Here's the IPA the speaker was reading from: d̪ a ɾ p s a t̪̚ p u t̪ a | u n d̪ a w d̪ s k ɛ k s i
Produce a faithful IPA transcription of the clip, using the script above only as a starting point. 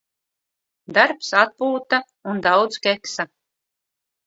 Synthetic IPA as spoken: d̪ a ɾ p s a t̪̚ p uː t̪ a | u n d̪ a w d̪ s k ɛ k s a